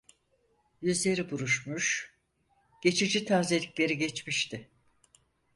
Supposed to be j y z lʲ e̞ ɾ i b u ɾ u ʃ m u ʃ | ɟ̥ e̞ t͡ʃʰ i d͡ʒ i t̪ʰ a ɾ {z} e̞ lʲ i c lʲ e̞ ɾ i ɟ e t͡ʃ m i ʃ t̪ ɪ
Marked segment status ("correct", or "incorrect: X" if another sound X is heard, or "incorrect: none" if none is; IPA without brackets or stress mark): correct